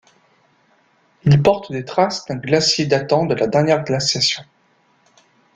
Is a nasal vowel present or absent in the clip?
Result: present